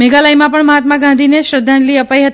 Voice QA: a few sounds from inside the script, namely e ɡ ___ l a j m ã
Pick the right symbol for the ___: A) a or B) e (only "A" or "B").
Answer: A